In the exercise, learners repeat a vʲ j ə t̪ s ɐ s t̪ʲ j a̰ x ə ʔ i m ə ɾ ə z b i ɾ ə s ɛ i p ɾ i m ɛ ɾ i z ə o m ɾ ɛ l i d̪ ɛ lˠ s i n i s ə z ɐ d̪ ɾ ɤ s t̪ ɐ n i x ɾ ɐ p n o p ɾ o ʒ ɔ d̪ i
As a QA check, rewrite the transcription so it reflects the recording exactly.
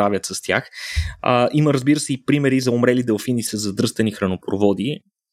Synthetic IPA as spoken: a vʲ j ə t̪ s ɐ s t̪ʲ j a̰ x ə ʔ i m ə ɾ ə z b i ɾ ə s ɛ i p ɾ i m ɛ ɾ i z ɐ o m ɾ ɛ l i d̪ ɛ lˠ f i n i s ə z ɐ d̪ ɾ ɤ s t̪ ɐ n i x ɾ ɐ n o p ɾ o v ɔ d̪ i